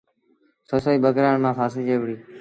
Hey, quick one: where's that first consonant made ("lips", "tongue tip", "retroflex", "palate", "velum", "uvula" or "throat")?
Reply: tongue tip